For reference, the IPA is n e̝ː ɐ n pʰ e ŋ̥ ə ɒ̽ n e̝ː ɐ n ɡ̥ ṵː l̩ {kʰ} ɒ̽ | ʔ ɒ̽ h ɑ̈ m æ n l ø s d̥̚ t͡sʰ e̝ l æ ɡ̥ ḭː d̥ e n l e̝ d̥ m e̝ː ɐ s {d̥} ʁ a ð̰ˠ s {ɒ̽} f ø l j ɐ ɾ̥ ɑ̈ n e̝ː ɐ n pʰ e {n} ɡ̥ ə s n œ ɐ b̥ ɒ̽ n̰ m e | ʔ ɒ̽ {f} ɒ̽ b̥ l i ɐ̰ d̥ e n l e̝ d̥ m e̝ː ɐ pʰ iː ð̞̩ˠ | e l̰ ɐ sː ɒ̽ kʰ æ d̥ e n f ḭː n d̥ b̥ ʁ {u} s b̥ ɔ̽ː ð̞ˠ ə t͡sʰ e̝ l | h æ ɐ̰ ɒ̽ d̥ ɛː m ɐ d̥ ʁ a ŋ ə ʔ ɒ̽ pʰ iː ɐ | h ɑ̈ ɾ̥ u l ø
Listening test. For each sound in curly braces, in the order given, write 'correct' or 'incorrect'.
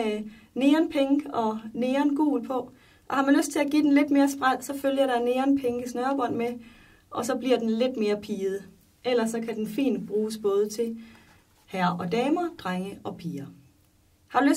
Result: incorrect: pʰ, incorrect: b̥, correct, incorrect: ŋ, incorrect: s, incorrect: uː

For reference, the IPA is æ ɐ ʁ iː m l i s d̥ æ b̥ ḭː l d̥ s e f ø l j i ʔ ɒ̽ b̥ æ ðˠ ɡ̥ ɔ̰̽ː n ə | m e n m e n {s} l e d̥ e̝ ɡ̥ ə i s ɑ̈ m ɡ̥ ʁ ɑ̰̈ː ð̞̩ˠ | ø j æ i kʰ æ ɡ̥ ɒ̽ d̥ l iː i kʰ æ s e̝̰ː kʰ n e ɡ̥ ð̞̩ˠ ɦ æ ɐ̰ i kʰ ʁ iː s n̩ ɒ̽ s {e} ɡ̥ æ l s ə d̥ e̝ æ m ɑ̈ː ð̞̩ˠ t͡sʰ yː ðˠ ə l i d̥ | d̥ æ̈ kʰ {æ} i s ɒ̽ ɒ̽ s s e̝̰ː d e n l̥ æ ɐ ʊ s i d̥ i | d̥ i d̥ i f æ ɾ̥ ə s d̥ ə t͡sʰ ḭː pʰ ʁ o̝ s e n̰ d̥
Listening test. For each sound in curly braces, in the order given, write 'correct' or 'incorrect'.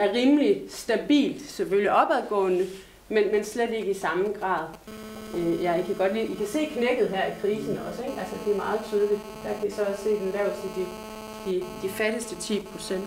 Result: correct, correct, correct

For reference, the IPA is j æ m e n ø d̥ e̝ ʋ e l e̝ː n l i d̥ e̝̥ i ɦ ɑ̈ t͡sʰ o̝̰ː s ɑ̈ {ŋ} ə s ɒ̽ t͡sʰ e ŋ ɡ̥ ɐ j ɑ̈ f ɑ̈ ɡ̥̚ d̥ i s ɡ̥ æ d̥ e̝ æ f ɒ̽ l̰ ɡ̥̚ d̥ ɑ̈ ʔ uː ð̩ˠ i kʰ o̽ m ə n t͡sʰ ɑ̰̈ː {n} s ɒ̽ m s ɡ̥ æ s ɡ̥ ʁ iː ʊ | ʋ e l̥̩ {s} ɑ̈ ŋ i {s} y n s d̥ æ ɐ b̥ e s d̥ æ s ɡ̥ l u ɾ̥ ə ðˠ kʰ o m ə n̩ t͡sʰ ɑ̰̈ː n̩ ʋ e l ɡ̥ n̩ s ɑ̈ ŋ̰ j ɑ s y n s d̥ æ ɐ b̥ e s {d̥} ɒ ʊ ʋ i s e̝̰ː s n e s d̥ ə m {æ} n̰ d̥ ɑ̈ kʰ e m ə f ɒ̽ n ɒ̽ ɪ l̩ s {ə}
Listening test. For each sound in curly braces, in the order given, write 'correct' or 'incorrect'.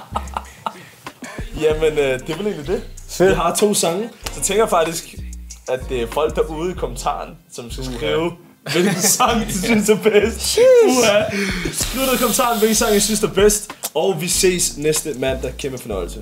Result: correct, correct, correct, correct, correct, correct, correct

